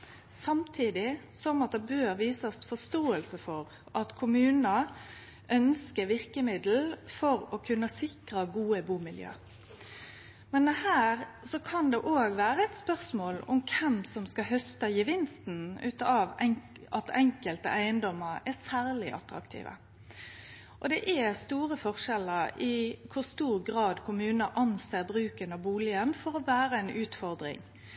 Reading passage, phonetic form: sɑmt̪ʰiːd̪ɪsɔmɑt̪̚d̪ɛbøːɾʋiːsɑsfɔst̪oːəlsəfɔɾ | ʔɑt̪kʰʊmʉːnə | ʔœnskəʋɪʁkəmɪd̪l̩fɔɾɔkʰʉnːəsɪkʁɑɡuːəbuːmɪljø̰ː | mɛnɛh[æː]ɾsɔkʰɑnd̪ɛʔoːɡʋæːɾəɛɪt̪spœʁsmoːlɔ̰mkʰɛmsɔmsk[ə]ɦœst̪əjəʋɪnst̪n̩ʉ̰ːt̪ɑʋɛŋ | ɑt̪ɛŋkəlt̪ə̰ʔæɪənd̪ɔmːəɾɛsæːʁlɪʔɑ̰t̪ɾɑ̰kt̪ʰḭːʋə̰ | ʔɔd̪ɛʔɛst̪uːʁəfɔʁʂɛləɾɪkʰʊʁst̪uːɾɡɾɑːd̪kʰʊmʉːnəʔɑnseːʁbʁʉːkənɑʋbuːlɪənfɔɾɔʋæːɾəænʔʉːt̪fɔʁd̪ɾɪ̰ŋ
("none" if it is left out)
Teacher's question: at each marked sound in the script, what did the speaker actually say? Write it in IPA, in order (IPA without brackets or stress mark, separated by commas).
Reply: æː, ɑ